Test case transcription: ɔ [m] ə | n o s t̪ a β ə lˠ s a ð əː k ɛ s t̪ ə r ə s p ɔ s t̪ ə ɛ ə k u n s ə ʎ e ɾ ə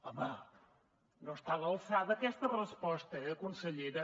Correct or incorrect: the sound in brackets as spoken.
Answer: correct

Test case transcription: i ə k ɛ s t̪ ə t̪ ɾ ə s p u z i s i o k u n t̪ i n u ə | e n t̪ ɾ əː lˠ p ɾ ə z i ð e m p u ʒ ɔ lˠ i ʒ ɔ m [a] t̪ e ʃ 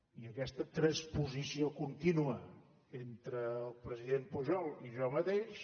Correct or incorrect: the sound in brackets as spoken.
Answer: incorrect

